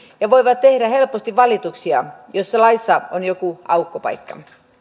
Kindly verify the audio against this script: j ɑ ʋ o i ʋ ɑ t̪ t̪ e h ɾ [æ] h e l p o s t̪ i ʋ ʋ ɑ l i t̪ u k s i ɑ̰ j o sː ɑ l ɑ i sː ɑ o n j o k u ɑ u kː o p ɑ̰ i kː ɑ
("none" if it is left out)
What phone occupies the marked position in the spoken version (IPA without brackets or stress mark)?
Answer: æ